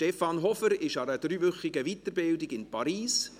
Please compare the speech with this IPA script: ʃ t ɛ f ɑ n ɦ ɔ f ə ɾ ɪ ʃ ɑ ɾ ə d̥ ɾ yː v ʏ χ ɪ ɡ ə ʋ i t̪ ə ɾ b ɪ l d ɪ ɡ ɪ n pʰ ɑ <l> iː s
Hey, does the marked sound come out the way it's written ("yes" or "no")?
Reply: no